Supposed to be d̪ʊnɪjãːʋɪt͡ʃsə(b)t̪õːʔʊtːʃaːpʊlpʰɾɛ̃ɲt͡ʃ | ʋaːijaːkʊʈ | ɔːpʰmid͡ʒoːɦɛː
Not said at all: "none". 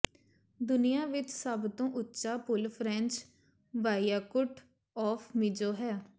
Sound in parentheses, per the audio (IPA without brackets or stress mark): b